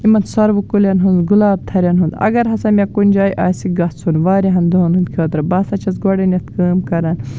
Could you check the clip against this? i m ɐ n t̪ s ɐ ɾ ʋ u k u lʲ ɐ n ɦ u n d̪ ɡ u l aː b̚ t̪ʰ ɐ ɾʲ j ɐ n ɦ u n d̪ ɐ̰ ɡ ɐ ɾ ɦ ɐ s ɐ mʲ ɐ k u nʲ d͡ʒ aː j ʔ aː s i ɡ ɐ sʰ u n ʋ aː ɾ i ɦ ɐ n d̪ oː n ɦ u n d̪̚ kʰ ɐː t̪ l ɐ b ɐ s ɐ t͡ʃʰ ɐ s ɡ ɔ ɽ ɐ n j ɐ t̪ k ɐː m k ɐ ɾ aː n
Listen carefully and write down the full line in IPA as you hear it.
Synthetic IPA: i m ɐ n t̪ s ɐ ɾ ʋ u k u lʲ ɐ n ɦ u n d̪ ɡ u l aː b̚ t̪ʰ ɐ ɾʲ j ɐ n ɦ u n d̪ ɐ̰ ɡ ɐ ɾ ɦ ɐ s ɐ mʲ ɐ k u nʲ d͡ʒ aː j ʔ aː s i ɡ ɐ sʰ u n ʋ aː ɾ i ɦ ɐ n d̪ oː n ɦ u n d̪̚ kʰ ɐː t̪ ɾ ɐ b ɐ s ɐ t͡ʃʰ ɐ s ɡ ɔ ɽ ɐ n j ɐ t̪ k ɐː m k ɐ ɾ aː n